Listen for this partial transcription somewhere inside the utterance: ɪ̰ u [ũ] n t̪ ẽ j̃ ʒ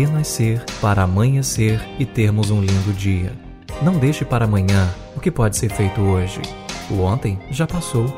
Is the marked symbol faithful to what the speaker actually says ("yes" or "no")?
no